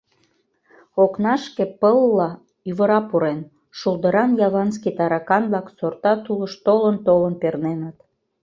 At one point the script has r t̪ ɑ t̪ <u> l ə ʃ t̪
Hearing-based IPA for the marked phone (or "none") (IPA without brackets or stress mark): u